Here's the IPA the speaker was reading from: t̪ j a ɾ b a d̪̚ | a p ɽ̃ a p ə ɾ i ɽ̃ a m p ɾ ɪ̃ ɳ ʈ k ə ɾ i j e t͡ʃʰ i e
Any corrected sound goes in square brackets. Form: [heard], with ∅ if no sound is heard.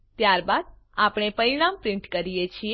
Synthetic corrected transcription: t̪ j a ɾ b a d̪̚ | a p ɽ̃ [e] p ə ɾ i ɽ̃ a m p ɾ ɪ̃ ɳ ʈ k ə ɾ i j e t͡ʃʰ i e